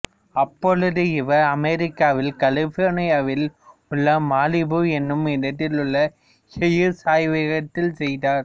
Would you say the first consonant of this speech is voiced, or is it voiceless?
voiceless